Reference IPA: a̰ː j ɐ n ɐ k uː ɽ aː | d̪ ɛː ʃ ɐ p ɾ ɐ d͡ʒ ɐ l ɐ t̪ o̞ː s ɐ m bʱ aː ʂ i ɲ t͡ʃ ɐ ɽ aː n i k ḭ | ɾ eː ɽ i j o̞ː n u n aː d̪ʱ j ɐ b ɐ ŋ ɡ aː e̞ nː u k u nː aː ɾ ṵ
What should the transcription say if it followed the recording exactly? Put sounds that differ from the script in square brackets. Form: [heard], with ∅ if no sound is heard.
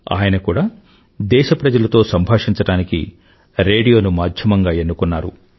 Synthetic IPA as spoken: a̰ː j ɐ n ɐ k uː ɽ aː | d̪ ɛː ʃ ɐ p ɾ ɐ d͡ʒ ɐ l ɐ t̪ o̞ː s ɐ m bʱ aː ʂ i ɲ t͡ʃ ɐ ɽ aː n i k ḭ | ɾ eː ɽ i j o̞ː n u [m] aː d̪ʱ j ɐ [m] ɐ ŋ ɡ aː e̞ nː u k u nː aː ɾ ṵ